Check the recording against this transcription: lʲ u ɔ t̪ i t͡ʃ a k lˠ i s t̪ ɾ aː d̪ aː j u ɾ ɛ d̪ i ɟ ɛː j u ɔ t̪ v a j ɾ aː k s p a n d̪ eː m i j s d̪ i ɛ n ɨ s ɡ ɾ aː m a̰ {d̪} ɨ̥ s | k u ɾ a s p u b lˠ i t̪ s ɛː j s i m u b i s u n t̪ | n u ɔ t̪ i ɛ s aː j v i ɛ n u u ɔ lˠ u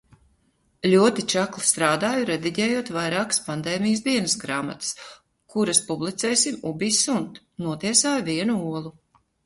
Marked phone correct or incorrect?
incorrect